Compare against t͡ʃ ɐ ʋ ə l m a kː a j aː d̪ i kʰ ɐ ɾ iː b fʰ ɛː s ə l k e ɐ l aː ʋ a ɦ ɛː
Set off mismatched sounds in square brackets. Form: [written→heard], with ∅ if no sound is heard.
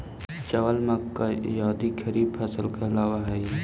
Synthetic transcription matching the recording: t͡ʃ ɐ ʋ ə l m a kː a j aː d̪ i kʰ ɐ ɾ iː b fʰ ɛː s ə l k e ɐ l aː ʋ a ɦ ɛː